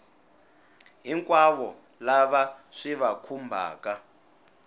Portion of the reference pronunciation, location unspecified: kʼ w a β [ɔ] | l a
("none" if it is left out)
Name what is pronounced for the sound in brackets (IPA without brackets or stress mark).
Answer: ɔ